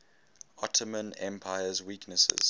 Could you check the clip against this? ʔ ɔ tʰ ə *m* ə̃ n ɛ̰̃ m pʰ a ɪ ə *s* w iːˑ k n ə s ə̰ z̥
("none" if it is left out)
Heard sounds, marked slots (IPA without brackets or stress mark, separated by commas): m, z